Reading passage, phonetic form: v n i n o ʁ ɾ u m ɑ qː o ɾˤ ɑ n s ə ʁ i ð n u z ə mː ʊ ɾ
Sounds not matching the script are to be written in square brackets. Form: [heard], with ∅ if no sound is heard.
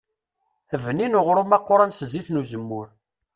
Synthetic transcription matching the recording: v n i n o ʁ ɾ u m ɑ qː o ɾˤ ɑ n s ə [z] i [θ] n u z ə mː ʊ ɾ